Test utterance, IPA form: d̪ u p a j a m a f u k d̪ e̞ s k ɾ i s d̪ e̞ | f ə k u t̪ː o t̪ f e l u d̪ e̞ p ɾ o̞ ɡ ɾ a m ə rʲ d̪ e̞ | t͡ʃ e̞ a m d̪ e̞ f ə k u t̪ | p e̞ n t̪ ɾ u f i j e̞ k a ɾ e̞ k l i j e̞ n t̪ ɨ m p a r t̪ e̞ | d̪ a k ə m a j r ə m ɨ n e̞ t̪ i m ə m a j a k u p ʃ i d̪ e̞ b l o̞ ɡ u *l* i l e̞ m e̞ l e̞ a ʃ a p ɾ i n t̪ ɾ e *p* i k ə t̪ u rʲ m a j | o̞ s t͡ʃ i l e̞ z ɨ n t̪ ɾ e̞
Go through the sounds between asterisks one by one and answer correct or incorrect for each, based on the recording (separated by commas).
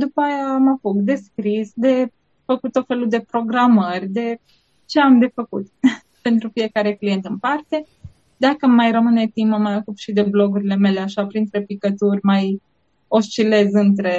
incorrect, correct